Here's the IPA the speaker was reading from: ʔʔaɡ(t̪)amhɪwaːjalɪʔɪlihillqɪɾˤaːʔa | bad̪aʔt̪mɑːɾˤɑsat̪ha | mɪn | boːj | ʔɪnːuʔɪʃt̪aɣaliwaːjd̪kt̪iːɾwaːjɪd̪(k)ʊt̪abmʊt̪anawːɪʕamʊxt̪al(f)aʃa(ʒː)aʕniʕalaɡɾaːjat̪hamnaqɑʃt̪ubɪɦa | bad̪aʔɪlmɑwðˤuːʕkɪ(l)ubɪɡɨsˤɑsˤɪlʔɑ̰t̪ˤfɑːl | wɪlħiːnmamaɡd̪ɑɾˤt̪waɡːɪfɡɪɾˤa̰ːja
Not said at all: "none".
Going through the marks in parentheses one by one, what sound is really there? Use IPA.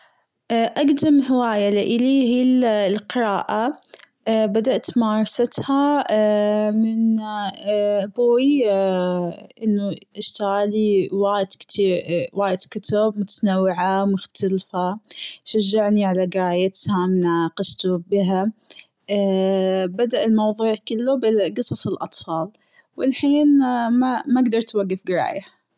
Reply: d̪, k, f, ʒː, lː

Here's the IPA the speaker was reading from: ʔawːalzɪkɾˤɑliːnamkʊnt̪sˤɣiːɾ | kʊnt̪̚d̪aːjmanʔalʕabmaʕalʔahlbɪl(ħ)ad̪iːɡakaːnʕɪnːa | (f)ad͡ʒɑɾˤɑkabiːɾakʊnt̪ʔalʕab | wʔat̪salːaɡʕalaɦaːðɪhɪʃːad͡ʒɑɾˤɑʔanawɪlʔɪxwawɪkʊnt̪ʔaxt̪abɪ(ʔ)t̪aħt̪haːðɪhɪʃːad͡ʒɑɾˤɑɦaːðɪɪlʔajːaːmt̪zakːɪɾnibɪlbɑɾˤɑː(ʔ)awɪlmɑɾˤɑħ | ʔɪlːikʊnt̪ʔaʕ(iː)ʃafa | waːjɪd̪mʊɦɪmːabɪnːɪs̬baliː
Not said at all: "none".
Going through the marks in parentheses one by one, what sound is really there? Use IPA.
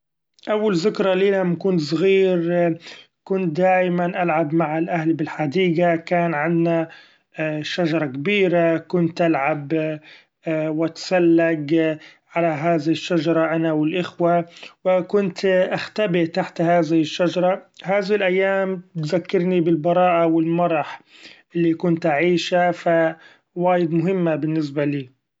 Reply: ħ, ʃ, ʔ, ʔ, iː

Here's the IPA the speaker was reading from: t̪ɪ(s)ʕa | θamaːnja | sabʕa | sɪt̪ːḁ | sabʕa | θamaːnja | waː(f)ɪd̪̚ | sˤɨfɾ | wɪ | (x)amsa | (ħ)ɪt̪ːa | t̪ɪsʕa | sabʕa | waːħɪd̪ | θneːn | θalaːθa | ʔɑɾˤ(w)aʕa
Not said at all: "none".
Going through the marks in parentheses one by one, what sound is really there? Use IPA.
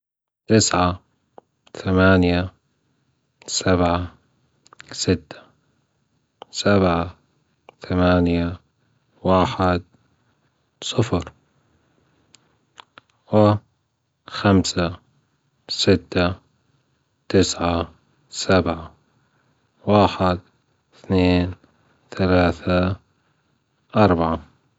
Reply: s, ħ, x, s, b

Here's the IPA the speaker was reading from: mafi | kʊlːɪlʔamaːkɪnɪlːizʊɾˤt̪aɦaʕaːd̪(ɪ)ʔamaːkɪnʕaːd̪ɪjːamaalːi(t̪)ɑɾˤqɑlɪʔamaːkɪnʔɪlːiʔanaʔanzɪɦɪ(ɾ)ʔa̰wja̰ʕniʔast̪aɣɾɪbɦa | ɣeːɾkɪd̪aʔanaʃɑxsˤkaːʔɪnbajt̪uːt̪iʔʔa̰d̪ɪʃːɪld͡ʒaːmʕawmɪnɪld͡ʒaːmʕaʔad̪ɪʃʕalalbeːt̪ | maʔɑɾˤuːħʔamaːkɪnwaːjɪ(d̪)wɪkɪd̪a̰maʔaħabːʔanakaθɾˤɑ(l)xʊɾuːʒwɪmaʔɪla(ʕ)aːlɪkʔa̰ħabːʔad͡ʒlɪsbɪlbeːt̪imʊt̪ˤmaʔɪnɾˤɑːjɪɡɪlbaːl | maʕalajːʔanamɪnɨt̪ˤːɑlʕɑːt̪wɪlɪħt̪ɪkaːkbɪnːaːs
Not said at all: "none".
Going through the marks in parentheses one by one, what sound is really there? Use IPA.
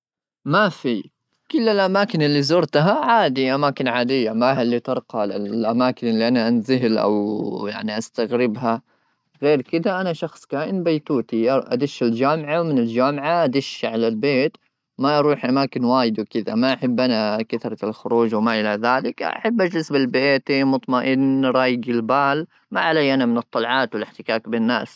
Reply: i, t̪, l, d̪, l, ð

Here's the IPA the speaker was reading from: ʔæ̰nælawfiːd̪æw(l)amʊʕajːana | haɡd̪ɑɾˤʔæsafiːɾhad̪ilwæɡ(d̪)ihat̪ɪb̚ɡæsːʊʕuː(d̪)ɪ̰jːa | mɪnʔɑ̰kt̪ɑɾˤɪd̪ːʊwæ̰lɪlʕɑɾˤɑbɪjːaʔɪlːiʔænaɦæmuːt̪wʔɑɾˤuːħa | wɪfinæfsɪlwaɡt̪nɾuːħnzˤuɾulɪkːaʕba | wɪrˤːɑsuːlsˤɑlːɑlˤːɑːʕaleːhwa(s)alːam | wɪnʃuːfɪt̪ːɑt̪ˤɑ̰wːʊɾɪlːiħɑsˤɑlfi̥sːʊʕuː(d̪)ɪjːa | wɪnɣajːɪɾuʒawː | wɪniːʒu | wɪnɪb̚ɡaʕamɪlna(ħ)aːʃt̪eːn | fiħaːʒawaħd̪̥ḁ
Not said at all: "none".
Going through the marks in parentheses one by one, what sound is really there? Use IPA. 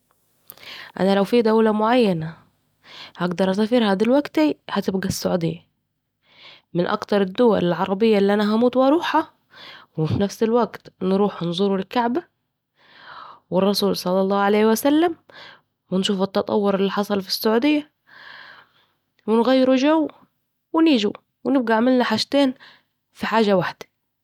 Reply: l, t̪, d̪, s, d̪, ħ

